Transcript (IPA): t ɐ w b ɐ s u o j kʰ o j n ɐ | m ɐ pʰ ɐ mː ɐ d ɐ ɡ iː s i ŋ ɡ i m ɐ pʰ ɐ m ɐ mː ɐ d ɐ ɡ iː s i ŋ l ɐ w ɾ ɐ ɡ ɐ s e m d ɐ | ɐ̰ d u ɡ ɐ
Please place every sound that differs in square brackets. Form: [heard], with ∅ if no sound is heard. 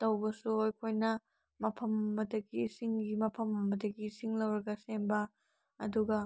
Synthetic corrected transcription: t ɐ w b ɐ s u o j kʰ o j n ɐ | m ɐ pʰ ɐ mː ɐ d ɐ ɡ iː s i ŋ ɡ i m ɐ pʰ ɐ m ɐ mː ɐ d ɐ ɡ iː s i ŋ l ɐ w ɾ ɐ ɡ ɐ s e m [b] ɐ | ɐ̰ d u ɡ ɐ